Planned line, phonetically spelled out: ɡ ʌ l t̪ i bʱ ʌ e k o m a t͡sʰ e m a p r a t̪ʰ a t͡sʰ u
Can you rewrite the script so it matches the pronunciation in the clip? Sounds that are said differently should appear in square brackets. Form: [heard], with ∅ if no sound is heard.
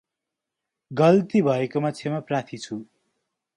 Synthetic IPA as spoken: ɡ ʌ l t̪ i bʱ ʌ e k o m a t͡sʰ e m a p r a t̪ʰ [i] t͡sʰ u